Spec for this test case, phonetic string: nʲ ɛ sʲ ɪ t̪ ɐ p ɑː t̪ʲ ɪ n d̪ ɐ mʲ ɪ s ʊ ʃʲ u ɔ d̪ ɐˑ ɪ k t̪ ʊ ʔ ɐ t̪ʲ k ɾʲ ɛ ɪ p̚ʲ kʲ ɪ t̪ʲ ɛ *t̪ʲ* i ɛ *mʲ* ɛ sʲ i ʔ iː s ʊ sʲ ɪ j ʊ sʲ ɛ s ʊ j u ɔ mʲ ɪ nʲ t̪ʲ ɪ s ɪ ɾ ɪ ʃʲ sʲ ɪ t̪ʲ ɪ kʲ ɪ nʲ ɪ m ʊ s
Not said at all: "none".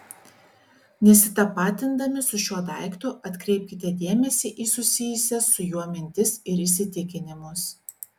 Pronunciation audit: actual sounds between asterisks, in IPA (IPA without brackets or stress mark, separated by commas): d̪ʲ, mʲ